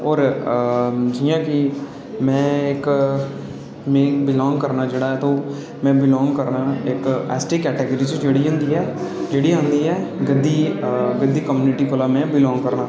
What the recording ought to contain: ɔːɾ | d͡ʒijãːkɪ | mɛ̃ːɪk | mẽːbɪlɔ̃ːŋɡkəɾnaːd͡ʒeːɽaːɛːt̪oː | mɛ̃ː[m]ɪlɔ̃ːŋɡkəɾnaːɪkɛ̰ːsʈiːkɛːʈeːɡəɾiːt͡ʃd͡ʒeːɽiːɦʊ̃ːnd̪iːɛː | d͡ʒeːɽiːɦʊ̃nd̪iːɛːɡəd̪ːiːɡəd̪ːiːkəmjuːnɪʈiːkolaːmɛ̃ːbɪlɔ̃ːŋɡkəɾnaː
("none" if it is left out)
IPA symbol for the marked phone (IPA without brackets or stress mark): b